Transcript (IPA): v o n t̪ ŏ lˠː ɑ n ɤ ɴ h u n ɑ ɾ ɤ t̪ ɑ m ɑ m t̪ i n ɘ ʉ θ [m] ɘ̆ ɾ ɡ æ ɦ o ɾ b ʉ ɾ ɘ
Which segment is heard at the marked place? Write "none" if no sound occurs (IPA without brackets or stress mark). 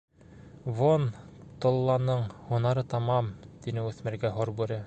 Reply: m